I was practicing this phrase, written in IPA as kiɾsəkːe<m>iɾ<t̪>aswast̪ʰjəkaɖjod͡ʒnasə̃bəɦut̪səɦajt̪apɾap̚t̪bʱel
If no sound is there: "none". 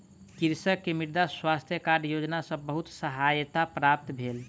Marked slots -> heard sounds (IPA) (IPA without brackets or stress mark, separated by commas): m, d̪